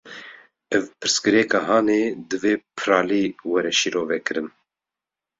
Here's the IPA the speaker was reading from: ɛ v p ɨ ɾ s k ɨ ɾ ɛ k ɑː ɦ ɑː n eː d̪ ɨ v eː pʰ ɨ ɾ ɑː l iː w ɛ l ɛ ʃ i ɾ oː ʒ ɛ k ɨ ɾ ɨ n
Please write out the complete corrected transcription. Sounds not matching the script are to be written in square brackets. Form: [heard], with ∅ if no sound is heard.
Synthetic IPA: ɛ v p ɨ ɾ s k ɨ ɾ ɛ k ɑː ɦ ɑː n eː d̪ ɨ v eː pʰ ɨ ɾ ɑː l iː w ɛ [ɾ] ɛ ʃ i ɾ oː [v] ɛ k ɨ ɾ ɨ n